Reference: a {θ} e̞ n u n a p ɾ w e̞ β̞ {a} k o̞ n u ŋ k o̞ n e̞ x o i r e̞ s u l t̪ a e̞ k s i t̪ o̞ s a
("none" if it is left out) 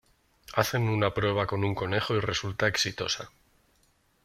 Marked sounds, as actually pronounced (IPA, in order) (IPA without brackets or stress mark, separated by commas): θ, a